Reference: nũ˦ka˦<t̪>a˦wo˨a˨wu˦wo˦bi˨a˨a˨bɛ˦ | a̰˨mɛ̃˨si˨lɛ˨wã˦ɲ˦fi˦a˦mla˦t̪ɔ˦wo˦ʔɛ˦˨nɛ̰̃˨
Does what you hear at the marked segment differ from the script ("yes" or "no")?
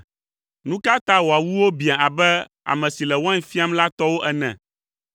no